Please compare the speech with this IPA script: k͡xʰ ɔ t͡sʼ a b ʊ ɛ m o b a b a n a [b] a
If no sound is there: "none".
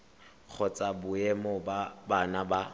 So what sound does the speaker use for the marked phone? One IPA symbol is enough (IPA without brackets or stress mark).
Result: b